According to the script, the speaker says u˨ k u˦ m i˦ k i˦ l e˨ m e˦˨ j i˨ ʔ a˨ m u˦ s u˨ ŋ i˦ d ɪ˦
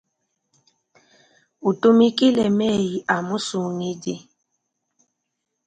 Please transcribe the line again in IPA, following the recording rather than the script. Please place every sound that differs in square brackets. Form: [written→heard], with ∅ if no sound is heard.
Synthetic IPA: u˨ [k→t] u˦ m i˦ k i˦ l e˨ m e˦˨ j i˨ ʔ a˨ m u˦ s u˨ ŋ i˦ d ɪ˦